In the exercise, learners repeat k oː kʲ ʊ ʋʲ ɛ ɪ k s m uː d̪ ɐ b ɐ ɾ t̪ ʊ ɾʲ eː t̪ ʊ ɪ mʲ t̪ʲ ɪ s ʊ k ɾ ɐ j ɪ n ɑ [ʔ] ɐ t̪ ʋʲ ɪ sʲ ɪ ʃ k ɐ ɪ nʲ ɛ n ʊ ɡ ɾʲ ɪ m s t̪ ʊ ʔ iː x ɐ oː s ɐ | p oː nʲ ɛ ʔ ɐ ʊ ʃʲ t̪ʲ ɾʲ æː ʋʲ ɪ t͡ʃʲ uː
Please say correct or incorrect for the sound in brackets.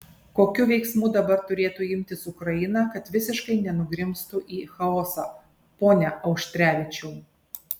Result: incorrect